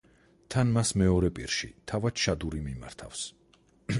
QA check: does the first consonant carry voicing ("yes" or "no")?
no